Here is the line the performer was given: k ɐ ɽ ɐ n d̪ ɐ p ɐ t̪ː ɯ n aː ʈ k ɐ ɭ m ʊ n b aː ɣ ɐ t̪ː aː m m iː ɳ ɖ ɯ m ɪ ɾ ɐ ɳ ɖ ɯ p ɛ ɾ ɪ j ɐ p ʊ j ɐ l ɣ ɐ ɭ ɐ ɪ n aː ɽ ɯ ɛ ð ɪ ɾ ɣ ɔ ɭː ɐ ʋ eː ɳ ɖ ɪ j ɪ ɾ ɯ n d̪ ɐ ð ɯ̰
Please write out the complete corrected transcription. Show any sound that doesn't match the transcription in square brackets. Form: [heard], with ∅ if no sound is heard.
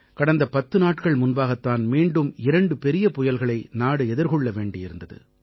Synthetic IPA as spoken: k ɐ ɽ ɐ n d̪ ɐ p ɐ t̪ː ɯ n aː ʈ k ɐ ɭ m ʊ n b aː ɣ ɐ t̪ː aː [n] m iː ɳ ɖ ɯ m ɪ ɾ ɐ ɳ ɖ ɯ p ɛ ɾ ɪ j ɐ p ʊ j ɐ l ɣ ɐ ɭ ɐ ɪ n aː ɽ ɯ ɛ ð ɪ ɾ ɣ ɔ ɭː ɐ ʋ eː ɳ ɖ ɪ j ɪ ɾ ɯ n d̪ ɐ ð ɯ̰